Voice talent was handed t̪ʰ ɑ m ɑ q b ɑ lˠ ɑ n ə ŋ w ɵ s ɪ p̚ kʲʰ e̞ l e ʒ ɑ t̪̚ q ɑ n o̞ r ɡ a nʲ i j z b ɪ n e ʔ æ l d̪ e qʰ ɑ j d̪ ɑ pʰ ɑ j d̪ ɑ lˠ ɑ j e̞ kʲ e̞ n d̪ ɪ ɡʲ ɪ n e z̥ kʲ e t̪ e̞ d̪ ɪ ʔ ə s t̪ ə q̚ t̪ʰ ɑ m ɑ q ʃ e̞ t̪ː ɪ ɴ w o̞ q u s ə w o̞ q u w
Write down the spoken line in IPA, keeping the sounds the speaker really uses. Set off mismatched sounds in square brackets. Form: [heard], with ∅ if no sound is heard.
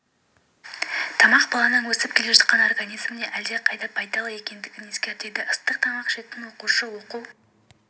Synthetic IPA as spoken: t̪ʰ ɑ m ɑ q b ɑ lˠ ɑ n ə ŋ w ɵ s ɪ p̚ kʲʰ e̞ l e ʒ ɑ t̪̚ q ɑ n o̞ r ɡ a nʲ i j z [m] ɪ n e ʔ æ l d̪ e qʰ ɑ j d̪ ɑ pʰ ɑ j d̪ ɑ lˠ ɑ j e̞ kʲ e̞ n d̪ ɪ ɡʲ ɪ n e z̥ kʲ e t̪ e̞ d̪ ɪ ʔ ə s t̪ ə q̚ t̪ʰ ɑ m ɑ q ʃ e̞ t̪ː ɪ [n] w o̞ q u [ʃ] ə w o̞ q u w